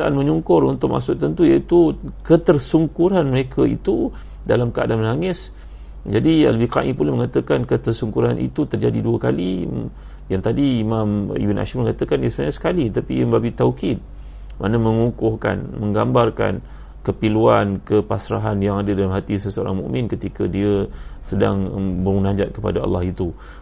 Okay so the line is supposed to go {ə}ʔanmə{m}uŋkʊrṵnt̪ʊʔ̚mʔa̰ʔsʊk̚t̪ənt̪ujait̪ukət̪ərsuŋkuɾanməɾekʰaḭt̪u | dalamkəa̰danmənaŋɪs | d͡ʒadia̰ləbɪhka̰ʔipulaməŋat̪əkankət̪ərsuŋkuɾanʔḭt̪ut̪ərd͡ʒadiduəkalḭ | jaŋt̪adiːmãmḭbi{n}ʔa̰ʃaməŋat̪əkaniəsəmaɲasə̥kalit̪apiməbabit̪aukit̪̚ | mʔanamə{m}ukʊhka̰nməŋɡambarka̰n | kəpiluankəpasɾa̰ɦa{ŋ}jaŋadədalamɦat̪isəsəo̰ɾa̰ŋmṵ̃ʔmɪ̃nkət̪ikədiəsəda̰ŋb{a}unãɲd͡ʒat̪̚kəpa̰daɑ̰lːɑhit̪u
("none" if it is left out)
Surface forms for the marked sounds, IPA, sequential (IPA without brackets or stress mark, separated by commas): a, ɲ, n, ŋ, n, ə